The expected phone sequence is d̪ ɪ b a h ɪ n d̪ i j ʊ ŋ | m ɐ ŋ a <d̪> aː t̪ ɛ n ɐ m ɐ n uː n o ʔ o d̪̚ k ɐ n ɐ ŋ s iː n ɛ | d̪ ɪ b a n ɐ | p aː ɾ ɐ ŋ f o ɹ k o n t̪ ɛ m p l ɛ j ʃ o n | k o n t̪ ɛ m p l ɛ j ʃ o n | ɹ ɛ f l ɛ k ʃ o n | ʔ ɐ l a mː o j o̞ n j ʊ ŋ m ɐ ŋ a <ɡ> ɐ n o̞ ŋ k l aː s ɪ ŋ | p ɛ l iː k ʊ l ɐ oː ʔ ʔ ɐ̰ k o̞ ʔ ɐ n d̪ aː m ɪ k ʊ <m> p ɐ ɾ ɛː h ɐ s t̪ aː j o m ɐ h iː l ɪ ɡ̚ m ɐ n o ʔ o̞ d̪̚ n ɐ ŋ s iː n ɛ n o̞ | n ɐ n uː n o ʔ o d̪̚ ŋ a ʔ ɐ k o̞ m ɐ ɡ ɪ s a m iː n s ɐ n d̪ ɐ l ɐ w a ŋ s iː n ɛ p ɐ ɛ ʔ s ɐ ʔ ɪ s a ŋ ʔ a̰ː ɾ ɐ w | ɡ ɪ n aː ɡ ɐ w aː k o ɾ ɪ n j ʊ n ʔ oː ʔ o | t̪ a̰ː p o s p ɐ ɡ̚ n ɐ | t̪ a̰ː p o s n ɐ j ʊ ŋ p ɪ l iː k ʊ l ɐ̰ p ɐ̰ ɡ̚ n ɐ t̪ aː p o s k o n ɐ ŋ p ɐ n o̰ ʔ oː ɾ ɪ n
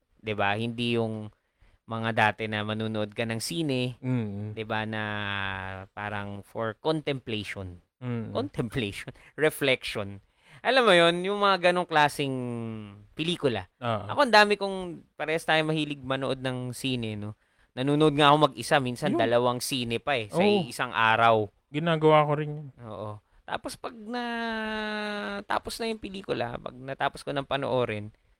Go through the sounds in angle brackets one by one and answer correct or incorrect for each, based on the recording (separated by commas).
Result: correct, correct, incorrect